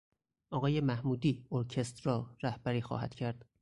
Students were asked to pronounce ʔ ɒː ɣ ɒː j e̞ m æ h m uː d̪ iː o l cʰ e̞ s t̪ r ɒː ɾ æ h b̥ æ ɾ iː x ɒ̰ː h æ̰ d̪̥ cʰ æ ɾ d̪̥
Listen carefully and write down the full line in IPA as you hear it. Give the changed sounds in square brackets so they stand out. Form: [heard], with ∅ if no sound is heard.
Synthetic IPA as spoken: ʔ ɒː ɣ ɒː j e̞ m æ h m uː d̪ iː o [ɾ] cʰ e̞ s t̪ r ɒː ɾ æ h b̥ æ ɾ iː x ɒ̰ː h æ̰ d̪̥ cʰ æ ɾ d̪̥